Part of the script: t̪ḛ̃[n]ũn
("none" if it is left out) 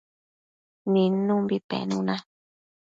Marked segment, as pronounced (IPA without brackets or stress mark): n